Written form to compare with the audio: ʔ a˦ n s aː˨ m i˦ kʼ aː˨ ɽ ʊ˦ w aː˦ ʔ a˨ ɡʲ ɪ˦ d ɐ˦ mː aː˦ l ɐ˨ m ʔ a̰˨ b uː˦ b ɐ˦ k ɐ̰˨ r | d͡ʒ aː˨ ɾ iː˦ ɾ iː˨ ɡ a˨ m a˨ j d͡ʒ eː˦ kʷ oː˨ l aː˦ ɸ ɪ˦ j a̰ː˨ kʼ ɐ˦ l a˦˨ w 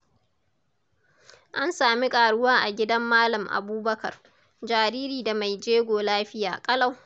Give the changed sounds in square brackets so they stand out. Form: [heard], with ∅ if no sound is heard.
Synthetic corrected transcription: ʔ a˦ n s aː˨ m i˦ kʼ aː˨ ɽ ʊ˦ w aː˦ ʔ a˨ ɡʲ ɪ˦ d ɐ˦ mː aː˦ l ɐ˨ m ʔ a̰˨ b uː˦ b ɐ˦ k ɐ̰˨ r | d͡ʒ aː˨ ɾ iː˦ ɾ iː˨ [d] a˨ m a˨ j d͡ʒ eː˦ [ɡʷ] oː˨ l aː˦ ɸ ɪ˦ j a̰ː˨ kʼ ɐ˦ l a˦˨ w

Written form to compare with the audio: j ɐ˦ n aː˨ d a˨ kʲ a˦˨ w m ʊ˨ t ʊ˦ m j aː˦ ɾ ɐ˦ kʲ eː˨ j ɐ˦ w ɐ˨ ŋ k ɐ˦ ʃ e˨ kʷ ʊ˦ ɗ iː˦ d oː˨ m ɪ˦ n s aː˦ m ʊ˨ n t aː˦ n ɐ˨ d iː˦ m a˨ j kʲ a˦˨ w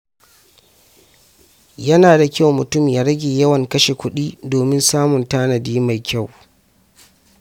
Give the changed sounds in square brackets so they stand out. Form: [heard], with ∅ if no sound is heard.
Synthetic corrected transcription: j ɐ˦ n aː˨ d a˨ kʲ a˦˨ w m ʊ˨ t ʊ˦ m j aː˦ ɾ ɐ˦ [ɡʲ] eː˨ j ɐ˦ w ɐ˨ ŋ k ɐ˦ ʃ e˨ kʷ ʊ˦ ɗ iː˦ d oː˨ m ɪ˦ n s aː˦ m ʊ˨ n t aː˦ n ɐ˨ d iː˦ m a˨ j kʲ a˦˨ w

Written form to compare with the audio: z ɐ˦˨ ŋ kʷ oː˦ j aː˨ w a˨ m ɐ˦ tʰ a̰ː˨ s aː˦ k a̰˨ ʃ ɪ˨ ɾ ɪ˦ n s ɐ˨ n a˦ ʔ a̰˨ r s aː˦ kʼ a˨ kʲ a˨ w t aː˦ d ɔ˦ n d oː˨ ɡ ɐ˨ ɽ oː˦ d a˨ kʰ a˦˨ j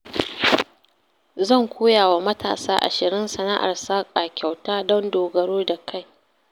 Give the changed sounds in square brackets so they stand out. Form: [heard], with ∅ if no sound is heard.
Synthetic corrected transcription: z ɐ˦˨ ŋ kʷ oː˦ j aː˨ w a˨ m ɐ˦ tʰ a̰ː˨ s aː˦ [ʔ] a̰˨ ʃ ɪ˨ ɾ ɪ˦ n s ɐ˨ n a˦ ʔ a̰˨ r s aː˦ kʼ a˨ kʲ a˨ w t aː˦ d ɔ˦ n d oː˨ ɡ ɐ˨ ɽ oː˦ d a˨ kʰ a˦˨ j

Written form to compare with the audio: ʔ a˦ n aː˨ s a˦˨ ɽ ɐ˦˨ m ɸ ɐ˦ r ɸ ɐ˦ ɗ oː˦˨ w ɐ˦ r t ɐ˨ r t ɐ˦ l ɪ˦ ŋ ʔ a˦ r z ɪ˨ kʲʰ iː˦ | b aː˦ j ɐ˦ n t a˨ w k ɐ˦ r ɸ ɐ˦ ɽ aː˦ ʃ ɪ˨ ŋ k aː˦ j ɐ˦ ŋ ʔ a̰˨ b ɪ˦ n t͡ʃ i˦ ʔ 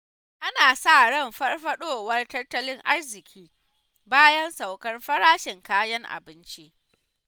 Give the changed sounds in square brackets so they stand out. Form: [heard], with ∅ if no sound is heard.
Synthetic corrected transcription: ʔ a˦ n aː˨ s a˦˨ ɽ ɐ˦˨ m ɸ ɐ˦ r ɸ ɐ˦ ɗ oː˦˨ w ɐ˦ r t [ɐ˦] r t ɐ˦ l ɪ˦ ŋ ʔ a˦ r z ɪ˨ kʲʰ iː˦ | b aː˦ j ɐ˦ n [s] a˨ w k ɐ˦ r ɸ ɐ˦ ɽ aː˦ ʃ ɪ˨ ŋ k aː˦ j ɐ˦ ŋ ʔ a̰˨ b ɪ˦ n t͡ʃ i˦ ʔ

